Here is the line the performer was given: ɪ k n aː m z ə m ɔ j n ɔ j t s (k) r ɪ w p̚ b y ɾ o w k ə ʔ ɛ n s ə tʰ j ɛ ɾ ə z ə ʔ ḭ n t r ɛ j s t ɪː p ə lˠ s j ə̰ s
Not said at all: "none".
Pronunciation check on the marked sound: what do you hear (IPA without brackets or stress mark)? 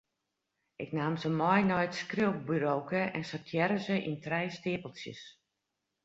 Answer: k